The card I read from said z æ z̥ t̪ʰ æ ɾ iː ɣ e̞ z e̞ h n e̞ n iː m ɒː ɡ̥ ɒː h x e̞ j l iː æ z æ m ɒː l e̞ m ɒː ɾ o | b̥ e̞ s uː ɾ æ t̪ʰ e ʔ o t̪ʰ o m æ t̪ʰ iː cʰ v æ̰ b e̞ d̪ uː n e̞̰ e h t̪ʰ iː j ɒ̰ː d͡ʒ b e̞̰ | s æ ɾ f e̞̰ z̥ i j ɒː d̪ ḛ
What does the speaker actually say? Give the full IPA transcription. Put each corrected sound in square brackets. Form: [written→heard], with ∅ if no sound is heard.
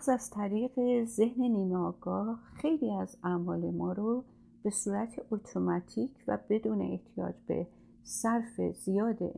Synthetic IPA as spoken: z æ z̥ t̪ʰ æ ɾ iː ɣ e̞ z e̞ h n e̞ n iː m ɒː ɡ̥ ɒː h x e̞ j l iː æ z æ m ɒː l e̞ m ɒː ɾ o | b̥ e̞ s uː ɾ æ t̪ʰ e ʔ o t̪ʰ o m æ t̪ʰ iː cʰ v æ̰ b e̞ d̪ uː n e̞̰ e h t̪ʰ [iː→i] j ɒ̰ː d͡ʒ b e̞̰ | s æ ɾ f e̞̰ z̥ i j ɒː d̪ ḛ